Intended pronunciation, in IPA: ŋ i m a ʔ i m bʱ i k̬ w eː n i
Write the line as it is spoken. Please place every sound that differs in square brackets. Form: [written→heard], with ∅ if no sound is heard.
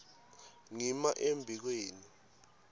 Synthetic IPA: ŋ i m a ʔ [i→e] m bʱ i k̬ w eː n i